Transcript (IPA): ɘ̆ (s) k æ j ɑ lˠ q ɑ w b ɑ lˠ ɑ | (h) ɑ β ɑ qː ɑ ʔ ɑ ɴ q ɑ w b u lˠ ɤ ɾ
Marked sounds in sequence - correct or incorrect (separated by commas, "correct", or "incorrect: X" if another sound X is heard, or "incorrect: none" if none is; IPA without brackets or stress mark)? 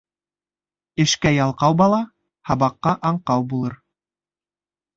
incorrect: ʃ, correct